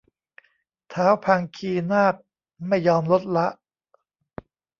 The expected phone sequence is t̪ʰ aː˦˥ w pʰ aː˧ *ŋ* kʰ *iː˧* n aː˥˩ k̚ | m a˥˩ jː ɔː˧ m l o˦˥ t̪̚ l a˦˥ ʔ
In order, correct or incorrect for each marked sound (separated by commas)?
correct, correct